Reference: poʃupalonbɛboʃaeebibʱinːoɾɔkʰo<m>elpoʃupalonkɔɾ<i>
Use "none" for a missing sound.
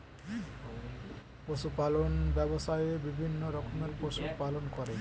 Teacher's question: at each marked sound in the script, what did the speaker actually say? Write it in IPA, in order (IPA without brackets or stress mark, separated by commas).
m, e